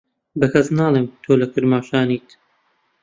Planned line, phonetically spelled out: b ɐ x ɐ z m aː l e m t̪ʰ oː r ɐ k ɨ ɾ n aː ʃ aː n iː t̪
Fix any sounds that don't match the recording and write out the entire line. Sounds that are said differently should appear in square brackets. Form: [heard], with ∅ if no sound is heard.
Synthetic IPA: b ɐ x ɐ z [n] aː l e m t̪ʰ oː [l] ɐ k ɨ ɾ [m] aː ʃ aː n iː t̪